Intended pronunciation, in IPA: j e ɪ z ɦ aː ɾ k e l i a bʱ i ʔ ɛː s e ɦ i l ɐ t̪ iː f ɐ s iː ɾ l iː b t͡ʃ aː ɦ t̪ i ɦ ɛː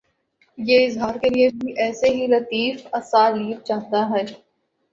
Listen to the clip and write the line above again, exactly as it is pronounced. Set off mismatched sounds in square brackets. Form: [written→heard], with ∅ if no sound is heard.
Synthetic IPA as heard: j e ɪ z ɦ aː ɾ k e l i [a→e] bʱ i ʔ ɛː s e ɦ i l ɐ t̪ iː f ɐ s [iː→aː] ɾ l iː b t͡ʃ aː ɦ t̪ [i→a] ɦ ɛː